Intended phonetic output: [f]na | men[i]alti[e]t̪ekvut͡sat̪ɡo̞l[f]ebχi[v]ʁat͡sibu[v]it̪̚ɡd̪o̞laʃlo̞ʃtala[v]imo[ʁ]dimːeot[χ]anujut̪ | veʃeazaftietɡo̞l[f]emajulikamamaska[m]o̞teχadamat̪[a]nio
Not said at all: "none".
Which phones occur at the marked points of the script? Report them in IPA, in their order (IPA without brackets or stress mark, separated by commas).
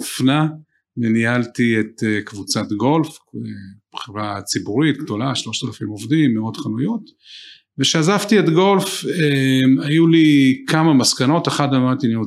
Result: f, i, e, f, v, ʁ, f, v, χ, f, n, i